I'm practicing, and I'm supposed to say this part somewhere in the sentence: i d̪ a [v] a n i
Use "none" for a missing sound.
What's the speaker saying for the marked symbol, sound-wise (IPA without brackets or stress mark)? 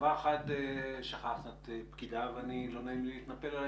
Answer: v